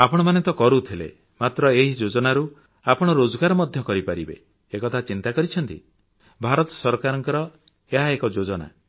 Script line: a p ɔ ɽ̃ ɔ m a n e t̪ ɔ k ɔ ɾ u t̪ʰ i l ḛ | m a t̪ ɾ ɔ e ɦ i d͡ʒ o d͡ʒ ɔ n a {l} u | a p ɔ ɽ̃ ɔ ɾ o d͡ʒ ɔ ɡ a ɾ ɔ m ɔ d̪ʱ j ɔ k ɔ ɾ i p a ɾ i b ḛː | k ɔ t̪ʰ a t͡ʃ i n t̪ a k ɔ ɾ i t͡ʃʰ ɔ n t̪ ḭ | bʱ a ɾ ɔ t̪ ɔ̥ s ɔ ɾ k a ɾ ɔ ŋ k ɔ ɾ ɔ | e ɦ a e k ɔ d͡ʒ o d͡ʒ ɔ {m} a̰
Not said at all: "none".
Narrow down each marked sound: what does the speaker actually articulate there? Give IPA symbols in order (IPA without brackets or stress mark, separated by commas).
ɾ, n